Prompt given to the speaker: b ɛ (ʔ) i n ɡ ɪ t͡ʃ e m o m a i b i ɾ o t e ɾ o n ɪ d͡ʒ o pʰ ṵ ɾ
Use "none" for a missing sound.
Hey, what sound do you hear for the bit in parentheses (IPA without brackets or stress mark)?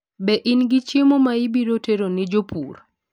ʔ